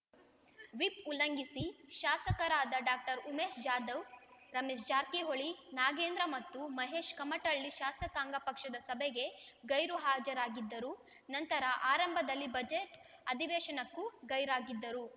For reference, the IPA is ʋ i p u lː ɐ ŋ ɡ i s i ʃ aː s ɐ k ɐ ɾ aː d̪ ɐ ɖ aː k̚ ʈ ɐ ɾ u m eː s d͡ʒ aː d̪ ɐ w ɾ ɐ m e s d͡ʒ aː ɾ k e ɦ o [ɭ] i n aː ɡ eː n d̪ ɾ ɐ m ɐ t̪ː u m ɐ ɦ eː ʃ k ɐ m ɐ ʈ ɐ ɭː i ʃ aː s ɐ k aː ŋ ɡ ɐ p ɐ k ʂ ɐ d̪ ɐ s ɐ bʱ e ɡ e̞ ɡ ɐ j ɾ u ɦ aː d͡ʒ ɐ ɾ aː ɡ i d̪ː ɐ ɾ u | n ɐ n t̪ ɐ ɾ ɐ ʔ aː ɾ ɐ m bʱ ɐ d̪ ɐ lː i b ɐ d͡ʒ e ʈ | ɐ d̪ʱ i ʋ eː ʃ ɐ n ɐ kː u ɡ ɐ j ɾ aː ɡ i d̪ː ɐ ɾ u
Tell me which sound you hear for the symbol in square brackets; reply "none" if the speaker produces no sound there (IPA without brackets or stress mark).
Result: ɭ